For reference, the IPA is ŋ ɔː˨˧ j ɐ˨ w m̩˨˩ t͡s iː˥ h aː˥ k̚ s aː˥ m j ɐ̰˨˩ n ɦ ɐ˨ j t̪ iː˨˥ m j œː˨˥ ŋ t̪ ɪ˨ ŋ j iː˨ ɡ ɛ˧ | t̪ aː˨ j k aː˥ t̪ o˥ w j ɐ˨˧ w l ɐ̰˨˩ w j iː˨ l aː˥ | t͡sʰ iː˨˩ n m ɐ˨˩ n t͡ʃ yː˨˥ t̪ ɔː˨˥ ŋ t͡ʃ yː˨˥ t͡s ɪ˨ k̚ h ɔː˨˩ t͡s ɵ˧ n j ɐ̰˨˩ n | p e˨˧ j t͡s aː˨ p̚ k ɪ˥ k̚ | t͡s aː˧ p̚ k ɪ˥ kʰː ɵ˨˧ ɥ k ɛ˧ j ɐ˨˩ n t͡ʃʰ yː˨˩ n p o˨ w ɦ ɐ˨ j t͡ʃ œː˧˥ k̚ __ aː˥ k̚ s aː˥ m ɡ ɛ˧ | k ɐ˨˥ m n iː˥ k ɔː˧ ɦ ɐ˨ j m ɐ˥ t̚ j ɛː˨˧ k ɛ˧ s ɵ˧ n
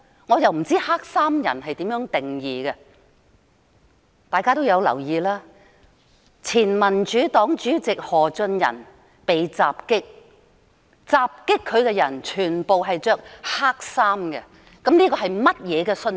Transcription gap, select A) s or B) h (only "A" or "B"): B